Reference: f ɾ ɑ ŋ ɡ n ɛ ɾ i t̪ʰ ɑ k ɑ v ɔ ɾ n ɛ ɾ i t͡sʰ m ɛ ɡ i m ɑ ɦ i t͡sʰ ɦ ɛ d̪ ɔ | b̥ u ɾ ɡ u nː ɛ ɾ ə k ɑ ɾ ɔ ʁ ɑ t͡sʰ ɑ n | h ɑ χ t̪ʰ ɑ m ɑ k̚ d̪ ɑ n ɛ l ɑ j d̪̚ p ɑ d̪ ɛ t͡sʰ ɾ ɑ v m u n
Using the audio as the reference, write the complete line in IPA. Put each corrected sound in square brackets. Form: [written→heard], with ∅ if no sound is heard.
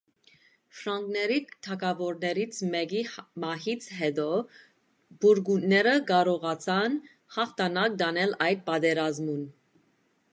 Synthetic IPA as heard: f ɾ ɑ ŋ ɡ n ɛ ɾ i t̪ʰ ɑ k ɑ v ɔ ɾ n ɛ ɾ i t͡sʰ m ɛ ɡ i m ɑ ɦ i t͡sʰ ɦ ɛ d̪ ɔ | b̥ u ɾ ɡ u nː ɛ ɾ ə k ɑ ɾ ɔ ʁ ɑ t͡sʰ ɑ n | h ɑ χ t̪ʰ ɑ [m→n] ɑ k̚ d̪ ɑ n ɛ l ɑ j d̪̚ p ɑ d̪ ɛ [t͡sʰ→∅] ɾ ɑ [v→z] m u n